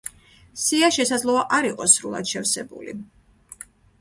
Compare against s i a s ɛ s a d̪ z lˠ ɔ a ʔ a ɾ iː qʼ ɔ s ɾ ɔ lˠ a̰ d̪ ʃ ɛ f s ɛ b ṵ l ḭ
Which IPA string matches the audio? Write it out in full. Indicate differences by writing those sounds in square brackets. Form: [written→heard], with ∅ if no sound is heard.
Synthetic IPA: s i a [s→ʃ] ɛ s a d̪ z lˠ ɔ a ʔ a ɾ [iː→i] qʼ ɔ s ɾ [ɔ→u] lˠ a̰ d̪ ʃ ɛ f s ɛ b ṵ l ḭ

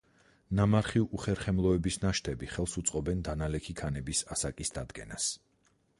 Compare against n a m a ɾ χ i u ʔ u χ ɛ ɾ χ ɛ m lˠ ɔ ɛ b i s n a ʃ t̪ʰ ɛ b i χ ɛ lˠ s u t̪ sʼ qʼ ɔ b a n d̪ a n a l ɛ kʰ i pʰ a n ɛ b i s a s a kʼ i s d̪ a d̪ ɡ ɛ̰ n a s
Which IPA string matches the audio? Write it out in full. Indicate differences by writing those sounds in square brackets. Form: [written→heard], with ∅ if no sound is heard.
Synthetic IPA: n a m a ɾ χ i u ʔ u χ ɛ ɾ χ ɛ m lˠ ɔ ɛ b i s n a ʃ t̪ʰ ɛ b i χ ɛ lˠ s u t̪ sʼ qʼ ɔ b [a→ɛ] n d̪ a n a l ɛ kʰ i [pʰ→kʰ] a n ɛ b i s a s a kʼ i s d̪ a d̪ ɡ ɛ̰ n a s

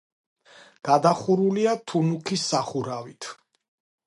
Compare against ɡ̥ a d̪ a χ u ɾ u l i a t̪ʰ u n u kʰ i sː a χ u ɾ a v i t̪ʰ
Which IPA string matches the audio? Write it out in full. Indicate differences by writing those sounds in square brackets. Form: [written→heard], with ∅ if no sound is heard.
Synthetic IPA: ɡ̥ a d̪ a χ u ɾ u l i a t̪ʰ u n u kʰ i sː a χ u ɾ a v i t̪ʰ

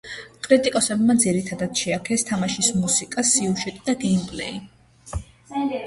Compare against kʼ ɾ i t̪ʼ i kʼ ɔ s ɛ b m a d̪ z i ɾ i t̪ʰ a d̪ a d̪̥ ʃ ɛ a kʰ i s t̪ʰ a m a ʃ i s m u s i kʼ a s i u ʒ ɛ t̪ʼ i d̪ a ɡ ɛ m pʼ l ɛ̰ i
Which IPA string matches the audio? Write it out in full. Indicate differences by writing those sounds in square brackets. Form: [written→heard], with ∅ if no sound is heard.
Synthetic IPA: kʼ ɾ i t̪ʼ i kʼ ɔ s ɛ b m a d̪ z i ɾ i t̪ʰ a d̪ a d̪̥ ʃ ɛ a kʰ [i→ɛ] s t̪ʰ a m a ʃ i s m u s i kʼ a s i u ʒ ɛ t̪ʼ i d̪ a ɡ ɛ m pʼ l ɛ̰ i

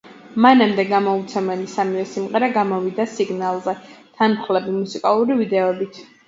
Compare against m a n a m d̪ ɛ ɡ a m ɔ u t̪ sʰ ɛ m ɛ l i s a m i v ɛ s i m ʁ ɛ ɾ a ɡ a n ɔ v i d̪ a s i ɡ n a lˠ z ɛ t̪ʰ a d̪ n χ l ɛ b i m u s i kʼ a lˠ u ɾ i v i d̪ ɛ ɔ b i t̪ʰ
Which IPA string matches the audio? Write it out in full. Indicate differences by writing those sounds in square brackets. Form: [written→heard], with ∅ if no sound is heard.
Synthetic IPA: m a n a m d̪ ɛ ɡ a m ɔ u t̪ sʰ ɛ m ɛ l i s a m i v ɛ s i m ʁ ɛ ɾ a ɡ a [n→m] ɔ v i d̪ a s i ɡ n a lˠ z ɛ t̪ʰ a [d̪→∅] n χ l ɛ b i m u s i kʼ a lˠ u ɾ i v i d̪ ɛ ɔ b i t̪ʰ

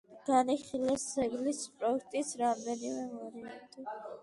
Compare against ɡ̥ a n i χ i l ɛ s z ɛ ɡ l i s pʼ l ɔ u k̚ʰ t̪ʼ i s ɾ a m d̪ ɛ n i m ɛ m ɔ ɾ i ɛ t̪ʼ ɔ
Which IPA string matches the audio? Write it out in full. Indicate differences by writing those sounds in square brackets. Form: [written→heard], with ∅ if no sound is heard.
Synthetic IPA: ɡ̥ a n i χ i l ɛ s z ɛ ɡ l i s pʼ [l→ɾ] ɔ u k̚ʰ t̪ʼ i s ɾ a m d̪ ɛ n i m ɛ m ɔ ɾ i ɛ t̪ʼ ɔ

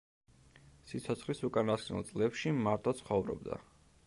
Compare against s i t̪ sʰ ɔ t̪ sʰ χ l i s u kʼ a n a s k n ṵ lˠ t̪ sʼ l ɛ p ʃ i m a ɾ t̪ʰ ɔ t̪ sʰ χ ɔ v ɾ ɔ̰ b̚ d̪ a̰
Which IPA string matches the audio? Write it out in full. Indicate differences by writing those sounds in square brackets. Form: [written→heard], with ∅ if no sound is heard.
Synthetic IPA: s i t̪ sʰ ɔ t̪ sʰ χ l i s u kʼ a n a s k n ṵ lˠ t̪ sʼ l ɛ p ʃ i m a ɾ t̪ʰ ɔ t̪ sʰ χ ɔ v ɾ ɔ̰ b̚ d̪ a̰

